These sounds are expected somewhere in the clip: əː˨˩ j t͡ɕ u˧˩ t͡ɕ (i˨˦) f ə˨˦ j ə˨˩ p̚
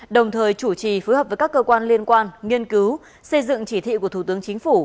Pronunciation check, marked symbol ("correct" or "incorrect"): incorrect